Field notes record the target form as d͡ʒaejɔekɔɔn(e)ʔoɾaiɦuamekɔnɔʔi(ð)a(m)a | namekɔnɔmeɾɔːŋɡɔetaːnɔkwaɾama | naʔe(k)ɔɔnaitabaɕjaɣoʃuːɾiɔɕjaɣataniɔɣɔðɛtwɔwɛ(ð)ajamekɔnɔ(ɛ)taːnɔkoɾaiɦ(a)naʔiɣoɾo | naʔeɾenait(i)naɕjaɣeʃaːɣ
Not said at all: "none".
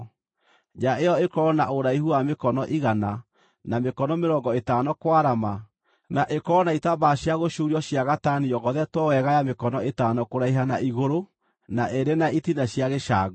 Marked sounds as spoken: a, ɣ, n, k, ɣ, e, a, i

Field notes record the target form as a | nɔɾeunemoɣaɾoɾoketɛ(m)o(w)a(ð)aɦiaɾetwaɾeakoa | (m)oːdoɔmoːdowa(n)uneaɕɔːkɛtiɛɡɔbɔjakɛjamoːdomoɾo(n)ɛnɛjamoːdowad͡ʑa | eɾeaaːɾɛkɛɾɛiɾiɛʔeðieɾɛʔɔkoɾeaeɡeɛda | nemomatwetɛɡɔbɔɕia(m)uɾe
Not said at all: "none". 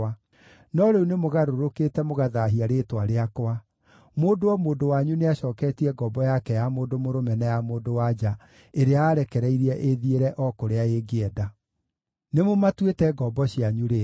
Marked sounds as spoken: m, ɣ, ð, m, ɲ, m, ɲ

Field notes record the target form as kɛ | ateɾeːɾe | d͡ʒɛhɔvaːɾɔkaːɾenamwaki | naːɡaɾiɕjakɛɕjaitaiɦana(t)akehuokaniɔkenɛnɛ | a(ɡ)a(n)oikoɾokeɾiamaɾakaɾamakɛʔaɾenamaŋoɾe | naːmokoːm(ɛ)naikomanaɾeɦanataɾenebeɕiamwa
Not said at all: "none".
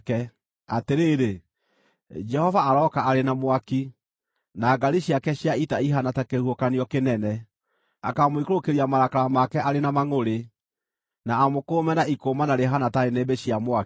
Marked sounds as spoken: t, k, m, ɛ

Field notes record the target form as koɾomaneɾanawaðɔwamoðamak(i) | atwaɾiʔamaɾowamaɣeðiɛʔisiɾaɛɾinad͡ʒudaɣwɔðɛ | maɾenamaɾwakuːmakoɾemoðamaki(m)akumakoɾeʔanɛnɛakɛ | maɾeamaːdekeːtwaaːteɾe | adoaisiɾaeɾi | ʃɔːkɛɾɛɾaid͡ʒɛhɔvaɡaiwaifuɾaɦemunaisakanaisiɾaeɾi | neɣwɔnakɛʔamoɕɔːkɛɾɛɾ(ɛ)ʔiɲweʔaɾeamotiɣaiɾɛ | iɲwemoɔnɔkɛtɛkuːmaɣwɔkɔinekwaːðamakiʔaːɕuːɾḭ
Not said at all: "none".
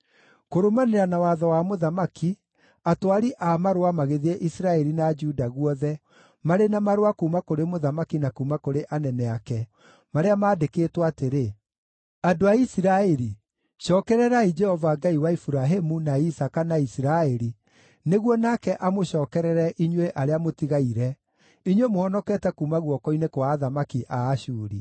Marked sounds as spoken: i, n, ɛ

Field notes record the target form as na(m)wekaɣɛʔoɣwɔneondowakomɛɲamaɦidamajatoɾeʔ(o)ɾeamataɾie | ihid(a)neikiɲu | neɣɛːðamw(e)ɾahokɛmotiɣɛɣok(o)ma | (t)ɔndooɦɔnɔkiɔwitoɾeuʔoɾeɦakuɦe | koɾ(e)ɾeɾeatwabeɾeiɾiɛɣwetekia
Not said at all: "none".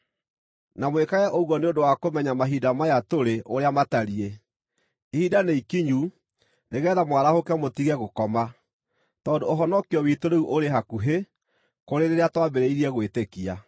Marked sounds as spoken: m, o, a, a, ɔ, t, e

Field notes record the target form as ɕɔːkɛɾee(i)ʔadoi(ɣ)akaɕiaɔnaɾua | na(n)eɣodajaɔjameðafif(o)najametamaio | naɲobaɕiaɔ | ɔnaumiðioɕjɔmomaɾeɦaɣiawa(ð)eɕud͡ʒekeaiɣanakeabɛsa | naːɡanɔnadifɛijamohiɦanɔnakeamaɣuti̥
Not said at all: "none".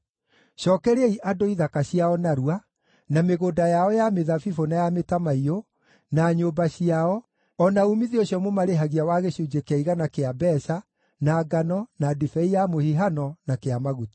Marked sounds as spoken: i, ð, m, o, ɣ

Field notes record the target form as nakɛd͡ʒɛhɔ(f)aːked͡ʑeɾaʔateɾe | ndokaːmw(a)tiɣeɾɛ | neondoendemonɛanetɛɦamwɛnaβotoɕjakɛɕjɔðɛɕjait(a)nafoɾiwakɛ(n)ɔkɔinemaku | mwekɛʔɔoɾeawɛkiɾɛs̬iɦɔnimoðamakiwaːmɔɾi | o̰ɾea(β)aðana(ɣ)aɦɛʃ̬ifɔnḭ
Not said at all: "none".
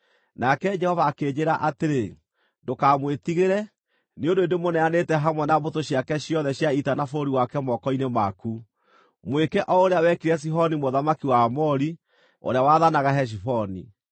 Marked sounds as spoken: v, e, a, m, w, ɣ

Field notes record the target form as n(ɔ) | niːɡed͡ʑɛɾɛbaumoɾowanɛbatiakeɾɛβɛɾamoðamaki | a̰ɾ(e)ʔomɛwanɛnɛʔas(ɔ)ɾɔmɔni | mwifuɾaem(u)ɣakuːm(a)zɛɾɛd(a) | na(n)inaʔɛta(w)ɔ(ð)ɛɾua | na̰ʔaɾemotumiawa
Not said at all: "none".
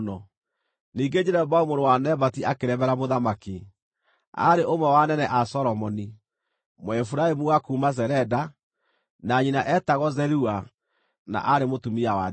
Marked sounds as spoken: ɔ, e, ɔ, u, a, a, ɲ, ɣ, z

